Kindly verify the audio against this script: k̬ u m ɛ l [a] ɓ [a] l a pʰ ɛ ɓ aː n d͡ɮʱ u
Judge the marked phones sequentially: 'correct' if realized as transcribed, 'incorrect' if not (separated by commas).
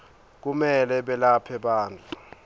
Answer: incorrect, incorrect